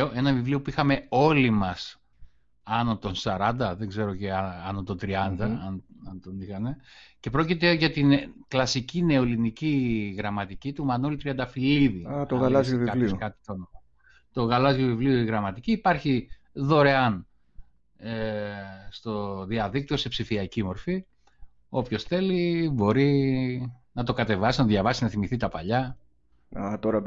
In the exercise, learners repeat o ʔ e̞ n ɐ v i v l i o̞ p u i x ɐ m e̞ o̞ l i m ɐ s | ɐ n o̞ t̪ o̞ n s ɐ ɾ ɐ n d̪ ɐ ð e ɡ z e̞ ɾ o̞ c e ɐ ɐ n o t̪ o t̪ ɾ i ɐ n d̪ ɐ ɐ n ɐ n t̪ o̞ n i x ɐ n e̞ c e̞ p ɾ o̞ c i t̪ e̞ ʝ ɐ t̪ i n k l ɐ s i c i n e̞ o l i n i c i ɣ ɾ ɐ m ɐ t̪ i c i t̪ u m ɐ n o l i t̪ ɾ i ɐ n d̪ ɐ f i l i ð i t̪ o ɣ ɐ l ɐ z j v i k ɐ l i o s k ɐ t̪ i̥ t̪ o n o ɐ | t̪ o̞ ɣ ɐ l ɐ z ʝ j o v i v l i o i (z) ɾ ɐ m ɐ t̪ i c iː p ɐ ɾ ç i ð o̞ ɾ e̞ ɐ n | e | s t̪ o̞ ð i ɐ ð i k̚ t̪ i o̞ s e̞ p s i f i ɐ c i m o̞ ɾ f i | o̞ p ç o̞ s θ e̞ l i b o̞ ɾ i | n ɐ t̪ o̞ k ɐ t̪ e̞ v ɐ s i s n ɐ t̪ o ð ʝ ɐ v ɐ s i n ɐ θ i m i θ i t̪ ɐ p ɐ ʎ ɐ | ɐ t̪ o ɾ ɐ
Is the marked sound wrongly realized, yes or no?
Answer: yes